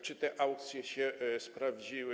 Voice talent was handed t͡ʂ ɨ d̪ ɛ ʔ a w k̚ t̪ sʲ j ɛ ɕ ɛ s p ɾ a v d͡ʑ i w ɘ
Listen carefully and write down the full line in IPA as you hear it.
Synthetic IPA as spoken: t͡ʂ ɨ t̪ ɛ ʔ a w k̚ t̪ sʲ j ɛ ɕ ɛ s p ɾ a v d͡ʑ i w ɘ